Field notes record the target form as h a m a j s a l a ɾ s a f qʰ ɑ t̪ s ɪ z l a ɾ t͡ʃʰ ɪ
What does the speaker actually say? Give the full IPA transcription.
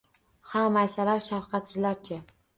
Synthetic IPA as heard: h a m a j s a l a ɾ ʃ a f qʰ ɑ t̪ s ɪ z l a ɾ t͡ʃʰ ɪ

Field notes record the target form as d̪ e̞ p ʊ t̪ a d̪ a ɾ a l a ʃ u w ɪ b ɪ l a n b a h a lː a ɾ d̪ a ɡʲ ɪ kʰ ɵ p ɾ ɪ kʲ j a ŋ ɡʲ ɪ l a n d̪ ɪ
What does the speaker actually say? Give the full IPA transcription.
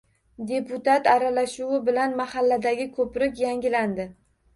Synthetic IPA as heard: d̪ e̞ p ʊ t̪ a t̪ a ɾ a l a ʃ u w ɪ b ɪ l a n m a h a lː a d̪ a ɡʲ ɪ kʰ ɵ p ɾ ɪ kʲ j a ŋ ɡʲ ɪ l a n d̪ ɪ

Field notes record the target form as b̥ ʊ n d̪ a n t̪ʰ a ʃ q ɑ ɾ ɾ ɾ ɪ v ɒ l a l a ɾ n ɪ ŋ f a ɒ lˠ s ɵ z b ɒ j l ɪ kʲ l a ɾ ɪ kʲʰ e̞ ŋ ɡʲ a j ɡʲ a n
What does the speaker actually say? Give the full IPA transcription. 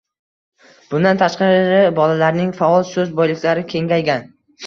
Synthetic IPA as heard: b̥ ʊ n d̪ a n t̪ʰ a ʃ q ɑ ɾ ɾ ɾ ɪ b ɒ l a l a ɾ n ɪ ŋ f a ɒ lˠ s ɵ z b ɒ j l ɪ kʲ l a ɾ ɪ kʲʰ e̞ ŋ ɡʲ a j ɡʲ a n

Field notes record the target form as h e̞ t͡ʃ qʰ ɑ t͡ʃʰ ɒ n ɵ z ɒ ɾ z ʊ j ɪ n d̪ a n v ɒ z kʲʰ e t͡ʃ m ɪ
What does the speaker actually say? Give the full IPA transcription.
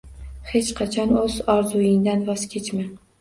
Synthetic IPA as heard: h e̞ t͡ʃ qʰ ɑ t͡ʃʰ ɒ n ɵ z ɒ ɾ z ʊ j ɪ ŋ d̪ a n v ɒ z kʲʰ e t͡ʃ m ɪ

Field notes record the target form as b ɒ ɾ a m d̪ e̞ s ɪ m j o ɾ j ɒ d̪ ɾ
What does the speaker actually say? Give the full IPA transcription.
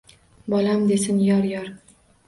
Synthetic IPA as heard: b ɒ l a m d̪ e̞ s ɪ n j ɒ ɾ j ɒ ɾ

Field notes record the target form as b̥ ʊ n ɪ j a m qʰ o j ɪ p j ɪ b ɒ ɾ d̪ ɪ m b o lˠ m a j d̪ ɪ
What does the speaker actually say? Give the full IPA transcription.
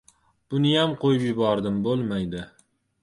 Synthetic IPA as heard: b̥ ʊ n ɪ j a m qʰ o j ɪ p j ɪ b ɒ ɾ d̪ ɪ m b o lˠ m a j d̪ ɪ

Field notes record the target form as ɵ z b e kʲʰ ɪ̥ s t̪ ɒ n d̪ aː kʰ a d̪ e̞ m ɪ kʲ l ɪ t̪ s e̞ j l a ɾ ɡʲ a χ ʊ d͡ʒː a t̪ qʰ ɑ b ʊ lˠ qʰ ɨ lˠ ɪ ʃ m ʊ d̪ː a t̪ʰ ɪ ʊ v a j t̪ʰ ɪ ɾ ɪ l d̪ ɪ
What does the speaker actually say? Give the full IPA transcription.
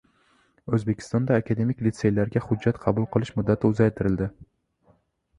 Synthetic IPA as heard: ɵ z b e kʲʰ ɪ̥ s t̪ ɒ n d̪ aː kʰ a d̪ e̞ m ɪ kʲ l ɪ t̪ s e̞ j l a ɾ ɡʲ a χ ʊ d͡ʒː a t̪ qʰ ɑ b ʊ lˠ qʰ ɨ lˠ ɪ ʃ m ʊ d̪ː a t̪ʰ ɪ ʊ z a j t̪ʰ ɪ ɾ ɪ l d̪ ɪ

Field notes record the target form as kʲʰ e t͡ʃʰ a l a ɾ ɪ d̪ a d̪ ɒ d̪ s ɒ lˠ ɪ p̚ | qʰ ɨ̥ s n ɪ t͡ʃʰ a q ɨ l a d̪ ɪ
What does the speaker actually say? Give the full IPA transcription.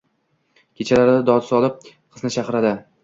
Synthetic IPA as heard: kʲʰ e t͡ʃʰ a l a ɾ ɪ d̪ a d̪ ɒ d̪ s ɒ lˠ ɪ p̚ | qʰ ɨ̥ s n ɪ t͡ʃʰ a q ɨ ɾ a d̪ ɪ

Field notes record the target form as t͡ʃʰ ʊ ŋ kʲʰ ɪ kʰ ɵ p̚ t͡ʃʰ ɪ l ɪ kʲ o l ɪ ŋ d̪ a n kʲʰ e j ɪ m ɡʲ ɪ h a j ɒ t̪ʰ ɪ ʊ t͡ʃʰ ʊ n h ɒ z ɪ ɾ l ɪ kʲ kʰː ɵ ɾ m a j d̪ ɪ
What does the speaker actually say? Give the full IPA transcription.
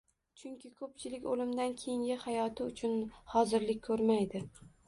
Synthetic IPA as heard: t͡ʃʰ ʊ ŋ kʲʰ ɪ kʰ ɵ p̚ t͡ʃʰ ɪ l ɪ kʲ o l ɪ m d̪ a n kʲʰ e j ɪ ŋ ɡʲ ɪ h a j ɒ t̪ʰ ɪ ʊ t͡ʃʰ ʊ n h ɒ z ɪ ɾ l ɪ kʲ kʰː ɵ ɾ m a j d̪ ɪ

